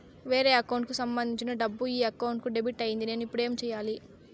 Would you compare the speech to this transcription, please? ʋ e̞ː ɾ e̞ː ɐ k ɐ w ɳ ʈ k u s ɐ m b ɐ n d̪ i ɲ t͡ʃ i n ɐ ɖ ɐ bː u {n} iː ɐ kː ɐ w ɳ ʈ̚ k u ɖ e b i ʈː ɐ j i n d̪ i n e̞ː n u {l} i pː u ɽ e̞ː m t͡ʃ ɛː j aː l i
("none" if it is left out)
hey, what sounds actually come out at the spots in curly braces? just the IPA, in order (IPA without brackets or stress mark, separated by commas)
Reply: none, none